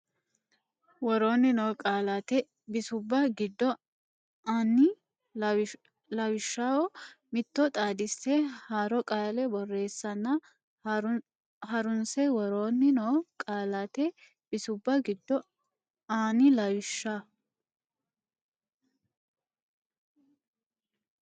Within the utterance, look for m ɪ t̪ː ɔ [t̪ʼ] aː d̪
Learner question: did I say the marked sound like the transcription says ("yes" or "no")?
yes